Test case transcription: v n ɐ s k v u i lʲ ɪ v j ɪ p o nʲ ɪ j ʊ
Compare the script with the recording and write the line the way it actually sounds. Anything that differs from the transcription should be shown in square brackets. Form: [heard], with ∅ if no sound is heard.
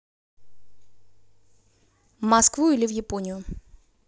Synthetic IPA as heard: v [m] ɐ s k v u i lʲ ɪ v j ɪ p o nʲ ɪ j ʊ

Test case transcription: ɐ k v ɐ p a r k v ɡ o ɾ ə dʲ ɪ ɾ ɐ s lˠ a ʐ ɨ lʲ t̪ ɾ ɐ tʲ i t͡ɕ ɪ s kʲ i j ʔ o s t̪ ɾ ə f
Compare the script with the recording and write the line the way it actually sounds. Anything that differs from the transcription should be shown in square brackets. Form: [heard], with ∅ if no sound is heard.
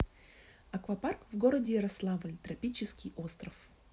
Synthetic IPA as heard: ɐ k v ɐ p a r k v ɡ o ɾ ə dʲ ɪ ɾ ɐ s lˠ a [v] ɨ lʲ t̪ ɾ ɐ [pʲ] i t͡ɕ ɪ s kʲ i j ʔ o s t̪ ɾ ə f

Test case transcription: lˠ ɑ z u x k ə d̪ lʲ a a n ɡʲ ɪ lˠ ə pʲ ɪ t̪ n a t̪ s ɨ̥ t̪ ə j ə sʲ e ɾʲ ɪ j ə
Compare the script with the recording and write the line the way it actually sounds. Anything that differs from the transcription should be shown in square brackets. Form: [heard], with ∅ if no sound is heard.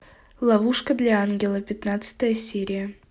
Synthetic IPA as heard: lˠ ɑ [v] u [ʂ] k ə d̪ lʲ a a n ɡʲ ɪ lˠ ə pʲ ɪ t̪ n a t̪ s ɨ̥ t̪ ə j ə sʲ e ɾʲ ɪ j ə

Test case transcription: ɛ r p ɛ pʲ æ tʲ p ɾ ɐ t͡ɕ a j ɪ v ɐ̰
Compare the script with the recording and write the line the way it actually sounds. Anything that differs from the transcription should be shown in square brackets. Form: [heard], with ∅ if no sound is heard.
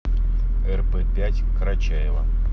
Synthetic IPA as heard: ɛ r p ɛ pʲ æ tʲ [k] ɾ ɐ t͡ɕ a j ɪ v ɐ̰

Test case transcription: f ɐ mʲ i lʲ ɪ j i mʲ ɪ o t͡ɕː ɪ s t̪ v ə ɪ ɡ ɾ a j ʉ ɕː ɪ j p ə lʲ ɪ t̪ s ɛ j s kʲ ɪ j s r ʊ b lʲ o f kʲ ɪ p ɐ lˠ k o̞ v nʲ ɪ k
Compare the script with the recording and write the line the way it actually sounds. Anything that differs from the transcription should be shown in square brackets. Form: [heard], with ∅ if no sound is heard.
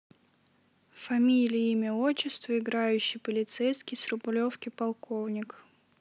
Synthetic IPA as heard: f ɐ mʲ i lʲ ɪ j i mʲ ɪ o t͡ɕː ɪ s t̪ v ə ɪ ɡ ɾ a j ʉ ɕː ɪ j p ə lʲ ɪ t̪ s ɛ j s kʲ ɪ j s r ʊ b lʲ o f kʲ ɪ p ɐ lˠ k o̞ v nʲ ɪ k

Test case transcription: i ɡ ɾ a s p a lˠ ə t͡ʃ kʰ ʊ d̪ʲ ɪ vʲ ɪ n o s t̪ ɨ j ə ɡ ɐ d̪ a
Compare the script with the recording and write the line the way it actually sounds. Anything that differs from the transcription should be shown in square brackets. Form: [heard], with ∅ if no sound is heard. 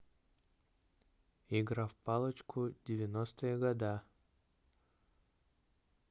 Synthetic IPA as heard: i ɡ ɾ a [f] p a lˠ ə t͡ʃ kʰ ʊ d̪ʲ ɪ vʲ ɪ n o s t̪ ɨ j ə ɡ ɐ d̪ a

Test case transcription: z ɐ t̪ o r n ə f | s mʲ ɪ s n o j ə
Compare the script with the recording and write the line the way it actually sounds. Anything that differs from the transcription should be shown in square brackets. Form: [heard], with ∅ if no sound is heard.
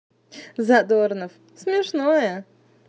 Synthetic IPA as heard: z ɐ [d̪] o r n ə f | s mʲ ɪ [ʂ] n o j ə

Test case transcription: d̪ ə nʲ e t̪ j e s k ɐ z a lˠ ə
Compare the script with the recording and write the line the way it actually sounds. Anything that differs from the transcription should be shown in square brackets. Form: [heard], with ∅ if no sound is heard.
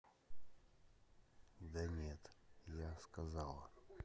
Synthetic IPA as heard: d̪ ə nʲ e t̪ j [a] s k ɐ z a lˠ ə

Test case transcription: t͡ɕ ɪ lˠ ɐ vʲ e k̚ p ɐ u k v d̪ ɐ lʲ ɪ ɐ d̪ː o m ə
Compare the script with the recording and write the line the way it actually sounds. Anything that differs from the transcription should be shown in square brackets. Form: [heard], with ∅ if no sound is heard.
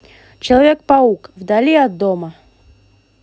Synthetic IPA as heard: t͡ɕ ɪ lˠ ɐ vʲ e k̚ p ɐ u k v d̪ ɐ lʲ [i] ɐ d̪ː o m ə

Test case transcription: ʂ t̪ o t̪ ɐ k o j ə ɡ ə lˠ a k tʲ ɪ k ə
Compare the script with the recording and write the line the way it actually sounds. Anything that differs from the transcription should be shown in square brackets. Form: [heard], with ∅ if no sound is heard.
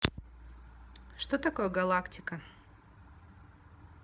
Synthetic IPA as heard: ʂ t̪ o t̪ ɐ k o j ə ɡ [ɐ] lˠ a k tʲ ɪ k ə

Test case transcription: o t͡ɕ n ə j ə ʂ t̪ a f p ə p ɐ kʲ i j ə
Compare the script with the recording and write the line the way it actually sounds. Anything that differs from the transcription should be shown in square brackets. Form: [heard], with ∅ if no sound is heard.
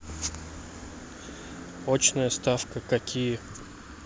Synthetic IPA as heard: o t͡ɕ n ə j ə [s] t̪ a f [k] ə [k] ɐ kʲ i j ə

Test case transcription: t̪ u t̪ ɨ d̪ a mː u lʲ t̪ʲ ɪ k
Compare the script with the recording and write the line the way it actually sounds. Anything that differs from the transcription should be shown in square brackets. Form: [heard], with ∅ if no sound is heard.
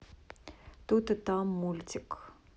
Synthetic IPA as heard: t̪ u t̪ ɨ [t̪] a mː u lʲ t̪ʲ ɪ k

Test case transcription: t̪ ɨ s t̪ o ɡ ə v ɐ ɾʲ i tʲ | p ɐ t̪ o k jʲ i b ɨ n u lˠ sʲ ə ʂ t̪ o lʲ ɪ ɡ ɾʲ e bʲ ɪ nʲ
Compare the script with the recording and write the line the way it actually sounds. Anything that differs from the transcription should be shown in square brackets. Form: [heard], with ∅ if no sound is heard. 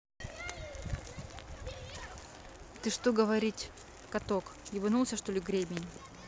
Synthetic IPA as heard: t̪ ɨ [ʂ] t̪ o ɡ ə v ɐ ɾʲ i tʲ | [k] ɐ t̪ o k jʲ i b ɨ n u lˠ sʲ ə ʂ t̪ o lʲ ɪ ɡ ɾʲ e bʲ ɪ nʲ

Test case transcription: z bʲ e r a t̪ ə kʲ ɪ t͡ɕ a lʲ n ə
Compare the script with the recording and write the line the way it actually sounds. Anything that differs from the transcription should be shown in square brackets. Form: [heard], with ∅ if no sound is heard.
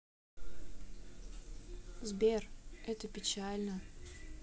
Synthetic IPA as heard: z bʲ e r [ɛ] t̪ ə [pʲ] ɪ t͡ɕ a lʲ n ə

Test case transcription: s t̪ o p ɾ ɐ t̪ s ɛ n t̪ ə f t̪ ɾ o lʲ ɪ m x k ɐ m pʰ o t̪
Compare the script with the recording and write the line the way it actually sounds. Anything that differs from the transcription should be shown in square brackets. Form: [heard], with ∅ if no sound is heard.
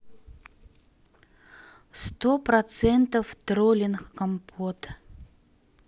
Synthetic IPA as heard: s t̪ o p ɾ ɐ t̪ s ɛ n t̪ ə f t̪ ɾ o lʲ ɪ [n] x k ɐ m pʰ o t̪

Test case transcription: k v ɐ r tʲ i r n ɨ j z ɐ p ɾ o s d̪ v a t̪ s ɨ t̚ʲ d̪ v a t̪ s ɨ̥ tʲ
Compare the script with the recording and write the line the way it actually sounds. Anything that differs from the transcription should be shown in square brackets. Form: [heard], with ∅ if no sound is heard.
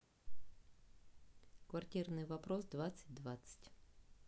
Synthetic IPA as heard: k v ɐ r tʲ i r n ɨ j [v] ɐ p ɾ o s d̪ v a t̪ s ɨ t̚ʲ d̪ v a t̪ s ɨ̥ tʲ

